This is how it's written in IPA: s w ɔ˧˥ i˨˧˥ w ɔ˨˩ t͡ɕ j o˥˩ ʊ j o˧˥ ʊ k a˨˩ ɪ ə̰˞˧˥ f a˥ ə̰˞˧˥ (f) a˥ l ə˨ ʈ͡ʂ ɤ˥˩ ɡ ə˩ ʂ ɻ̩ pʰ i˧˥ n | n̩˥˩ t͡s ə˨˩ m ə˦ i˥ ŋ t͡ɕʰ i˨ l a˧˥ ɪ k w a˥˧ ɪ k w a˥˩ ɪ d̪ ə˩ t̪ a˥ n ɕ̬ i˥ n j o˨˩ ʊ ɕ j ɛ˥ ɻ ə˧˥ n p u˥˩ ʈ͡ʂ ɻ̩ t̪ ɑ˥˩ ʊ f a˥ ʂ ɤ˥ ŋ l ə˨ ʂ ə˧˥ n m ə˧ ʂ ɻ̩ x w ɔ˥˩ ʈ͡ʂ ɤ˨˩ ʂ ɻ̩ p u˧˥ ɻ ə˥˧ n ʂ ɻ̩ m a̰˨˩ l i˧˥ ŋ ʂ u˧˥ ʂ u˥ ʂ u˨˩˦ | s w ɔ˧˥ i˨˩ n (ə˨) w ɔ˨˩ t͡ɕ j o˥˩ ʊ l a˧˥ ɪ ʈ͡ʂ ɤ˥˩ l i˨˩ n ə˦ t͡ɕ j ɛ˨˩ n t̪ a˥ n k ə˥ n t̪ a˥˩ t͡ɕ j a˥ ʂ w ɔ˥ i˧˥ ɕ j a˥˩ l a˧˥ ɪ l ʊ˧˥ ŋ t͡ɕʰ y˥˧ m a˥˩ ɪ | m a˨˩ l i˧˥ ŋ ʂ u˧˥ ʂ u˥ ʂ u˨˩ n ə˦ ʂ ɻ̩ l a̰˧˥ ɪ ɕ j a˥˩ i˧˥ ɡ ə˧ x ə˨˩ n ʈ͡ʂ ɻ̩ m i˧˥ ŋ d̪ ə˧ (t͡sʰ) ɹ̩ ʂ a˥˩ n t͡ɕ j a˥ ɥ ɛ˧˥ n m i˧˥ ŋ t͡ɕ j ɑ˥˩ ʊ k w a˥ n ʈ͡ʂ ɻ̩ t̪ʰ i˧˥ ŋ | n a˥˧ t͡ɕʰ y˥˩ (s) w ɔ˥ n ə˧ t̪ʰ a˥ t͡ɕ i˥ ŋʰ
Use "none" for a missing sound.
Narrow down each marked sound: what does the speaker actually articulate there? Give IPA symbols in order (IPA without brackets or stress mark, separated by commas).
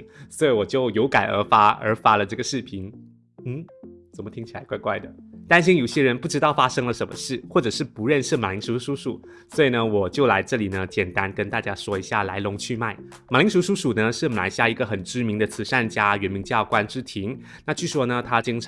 f, ə˦, t͡sʰ, ʂ